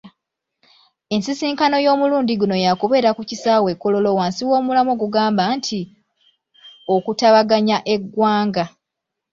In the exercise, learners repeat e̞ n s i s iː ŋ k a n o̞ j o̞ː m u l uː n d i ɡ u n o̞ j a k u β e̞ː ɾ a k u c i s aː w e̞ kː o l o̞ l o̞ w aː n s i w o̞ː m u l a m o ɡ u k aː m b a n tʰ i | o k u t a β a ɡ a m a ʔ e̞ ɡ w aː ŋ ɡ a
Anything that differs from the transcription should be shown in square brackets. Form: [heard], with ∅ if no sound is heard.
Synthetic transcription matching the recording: e̞ n s i s iː ŋ k a n o̞ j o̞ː m u l uː n d i ɡ u n o̞ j a k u β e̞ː ɾ a k u c i s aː w e̞ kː o l o̞ l o̞ w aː n s i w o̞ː m u l a m o ɡ u [ɡ] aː m b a n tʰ i | o k u t a β a ɡ a [ɲ] a ʔ e̞ ɡ w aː ŋ ɡ a